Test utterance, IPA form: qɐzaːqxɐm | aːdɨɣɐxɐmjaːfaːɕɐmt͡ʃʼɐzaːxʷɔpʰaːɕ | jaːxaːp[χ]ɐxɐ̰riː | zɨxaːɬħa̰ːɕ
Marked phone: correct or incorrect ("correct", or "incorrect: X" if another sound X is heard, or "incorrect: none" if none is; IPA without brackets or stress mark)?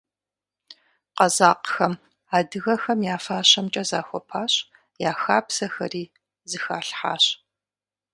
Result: incorrect: s